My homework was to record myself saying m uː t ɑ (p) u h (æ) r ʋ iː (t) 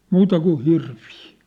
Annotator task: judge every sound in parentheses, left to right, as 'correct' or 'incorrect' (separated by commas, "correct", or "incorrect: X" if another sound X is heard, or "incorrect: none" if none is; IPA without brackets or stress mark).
incorrect: k, incorrect: i, incorrect: none